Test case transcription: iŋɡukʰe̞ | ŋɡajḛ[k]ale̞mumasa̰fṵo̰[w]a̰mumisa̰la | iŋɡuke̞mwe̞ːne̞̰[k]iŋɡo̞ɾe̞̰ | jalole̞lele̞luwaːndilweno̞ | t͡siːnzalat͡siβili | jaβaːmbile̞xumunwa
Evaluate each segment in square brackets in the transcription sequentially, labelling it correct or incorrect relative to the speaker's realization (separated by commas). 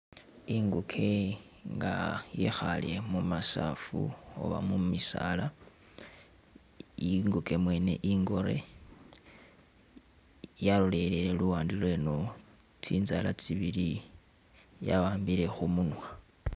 incorrect, incorrect, incorrect